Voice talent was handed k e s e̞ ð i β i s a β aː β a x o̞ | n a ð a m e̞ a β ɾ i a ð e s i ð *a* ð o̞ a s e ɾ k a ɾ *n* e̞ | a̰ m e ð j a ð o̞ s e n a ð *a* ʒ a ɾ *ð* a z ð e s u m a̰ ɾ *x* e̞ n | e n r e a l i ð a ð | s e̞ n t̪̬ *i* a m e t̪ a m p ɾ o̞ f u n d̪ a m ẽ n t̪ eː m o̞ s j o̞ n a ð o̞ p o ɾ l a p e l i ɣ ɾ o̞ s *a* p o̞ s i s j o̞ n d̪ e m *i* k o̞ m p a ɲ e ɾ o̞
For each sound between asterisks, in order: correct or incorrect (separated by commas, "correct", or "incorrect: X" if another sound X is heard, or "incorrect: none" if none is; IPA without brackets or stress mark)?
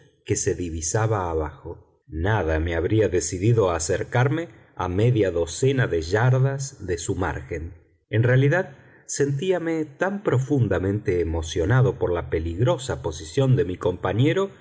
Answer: incorrect: i, incorrect: m, incorrect: e, correct, correct, correct, correct, correct